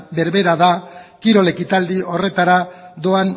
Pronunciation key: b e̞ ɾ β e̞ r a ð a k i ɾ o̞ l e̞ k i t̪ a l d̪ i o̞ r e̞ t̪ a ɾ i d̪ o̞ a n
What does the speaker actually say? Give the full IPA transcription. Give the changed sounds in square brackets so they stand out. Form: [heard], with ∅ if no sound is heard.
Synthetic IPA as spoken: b e̞ ɾ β e̞ [ɾ] a ð a k i ɾ o̞ l e̞ k i t̪ a l d̪ i o̞ r e̞ t̪ a ɾ [a] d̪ o̞ a n